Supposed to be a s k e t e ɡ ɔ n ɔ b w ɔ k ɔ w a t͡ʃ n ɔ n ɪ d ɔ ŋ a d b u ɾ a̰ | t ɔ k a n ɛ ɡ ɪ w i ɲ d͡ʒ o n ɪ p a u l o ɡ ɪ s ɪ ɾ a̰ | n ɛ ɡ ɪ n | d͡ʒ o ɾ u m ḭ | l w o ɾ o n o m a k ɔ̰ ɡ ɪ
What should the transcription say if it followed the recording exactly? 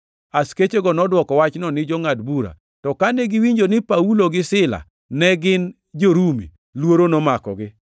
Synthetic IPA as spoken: a s k e t͡ʃ e ɡ ɔ n ɔ d w ɔ k ɔ w a t͡ʃ n ɔ n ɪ d͡ʒ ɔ ŋ a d b u ɾ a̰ | t ɔ k a n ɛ ɡ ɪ w i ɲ d͡ʒ o n ɪ p a u l o ɡ ɪ s ɪ l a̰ | n ɛ ɡ ɪ n | d͡ʒ o ɾ u m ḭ | l w o ɾ o n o m a k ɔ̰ ɡ ɪ